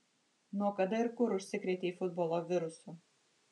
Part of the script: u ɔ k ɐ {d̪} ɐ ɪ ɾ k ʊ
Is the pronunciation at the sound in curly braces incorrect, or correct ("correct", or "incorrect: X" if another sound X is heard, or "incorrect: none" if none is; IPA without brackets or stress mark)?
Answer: correct